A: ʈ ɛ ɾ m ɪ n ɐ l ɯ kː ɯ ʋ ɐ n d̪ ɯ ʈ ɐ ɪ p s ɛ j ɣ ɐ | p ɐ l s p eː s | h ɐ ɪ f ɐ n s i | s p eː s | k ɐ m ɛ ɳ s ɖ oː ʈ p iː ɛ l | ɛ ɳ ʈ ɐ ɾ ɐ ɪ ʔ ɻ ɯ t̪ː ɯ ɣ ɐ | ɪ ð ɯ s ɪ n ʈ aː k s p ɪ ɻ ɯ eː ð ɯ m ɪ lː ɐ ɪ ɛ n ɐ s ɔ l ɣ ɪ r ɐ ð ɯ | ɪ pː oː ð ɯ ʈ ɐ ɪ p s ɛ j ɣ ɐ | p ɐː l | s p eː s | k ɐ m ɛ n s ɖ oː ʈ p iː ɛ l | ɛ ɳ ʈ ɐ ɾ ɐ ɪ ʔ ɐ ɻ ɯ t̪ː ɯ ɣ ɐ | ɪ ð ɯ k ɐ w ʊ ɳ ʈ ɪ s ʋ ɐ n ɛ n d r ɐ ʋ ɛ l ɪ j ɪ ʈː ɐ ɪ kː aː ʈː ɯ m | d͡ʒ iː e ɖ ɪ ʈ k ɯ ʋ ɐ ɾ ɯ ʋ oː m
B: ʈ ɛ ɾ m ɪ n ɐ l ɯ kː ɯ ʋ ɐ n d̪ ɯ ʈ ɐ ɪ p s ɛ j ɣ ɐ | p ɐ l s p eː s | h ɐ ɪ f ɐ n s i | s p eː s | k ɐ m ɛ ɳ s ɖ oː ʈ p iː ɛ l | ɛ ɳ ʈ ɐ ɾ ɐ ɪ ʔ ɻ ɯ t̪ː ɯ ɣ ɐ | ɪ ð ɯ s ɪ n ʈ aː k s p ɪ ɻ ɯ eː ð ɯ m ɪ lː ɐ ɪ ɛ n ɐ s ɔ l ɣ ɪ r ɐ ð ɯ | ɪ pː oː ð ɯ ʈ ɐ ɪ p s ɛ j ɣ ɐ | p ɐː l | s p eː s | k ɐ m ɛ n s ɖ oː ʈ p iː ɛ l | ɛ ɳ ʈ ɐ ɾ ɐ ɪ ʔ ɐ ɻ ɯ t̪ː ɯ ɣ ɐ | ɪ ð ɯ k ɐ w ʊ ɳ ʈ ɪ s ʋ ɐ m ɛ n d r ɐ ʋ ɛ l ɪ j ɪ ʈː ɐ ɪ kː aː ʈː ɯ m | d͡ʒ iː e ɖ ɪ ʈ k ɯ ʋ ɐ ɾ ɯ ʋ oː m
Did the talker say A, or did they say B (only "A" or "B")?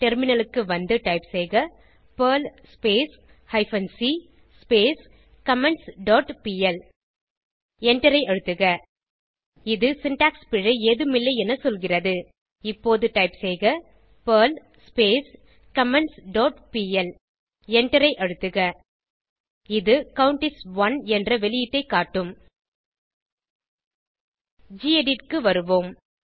A